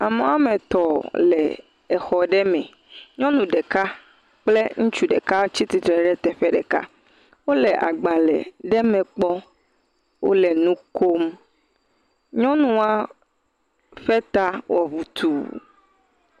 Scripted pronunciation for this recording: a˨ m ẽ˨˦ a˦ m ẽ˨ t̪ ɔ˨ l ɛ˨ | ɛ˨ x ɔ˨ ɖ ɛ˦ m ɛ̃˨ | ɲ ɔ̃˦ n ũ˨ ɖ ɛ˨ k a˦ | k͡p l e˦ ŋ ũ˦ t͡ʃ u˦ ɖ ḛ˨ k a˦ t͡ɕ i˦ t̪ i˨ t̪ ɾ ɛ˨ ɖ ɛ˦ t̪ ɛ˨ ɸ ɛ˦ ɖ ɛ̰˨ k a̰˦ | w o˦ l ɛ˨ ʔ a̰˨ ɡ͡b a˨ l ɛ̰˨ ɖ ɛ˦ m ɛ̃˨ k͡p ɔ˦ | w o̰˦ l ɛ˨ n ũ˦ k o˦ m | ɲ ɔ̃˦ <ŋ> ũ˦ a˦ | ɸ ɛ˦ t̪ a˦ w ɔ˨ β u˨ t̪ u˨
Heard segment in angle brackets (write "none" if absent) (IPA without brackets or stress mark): n